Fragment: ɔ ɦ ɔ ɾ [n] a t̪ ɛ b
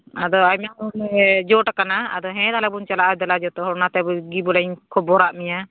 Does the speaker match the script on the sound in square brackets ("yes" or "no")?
yes